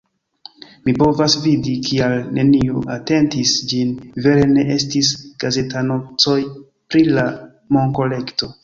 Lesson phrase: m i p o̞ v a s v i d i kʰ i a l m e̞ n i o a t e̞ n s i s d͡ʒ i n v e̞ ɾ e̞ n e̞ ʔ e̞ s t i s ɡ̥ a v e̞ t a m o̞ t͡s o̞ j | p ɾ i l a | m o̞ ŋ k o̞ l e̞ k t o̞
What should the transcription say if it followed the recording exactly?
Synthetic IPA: m i p o̞ v a s v i d i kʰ i a l n e̞ n i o a t e̞ n t i s d͡ʒ i n v e̞ ɾ e̞ n e̞ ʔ e̞ s t i s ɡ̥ a z e̞ t a n o̞ t͡s o̞ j | p ɾ i l a | m o̞ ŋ k o̞ l e̞ k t o̞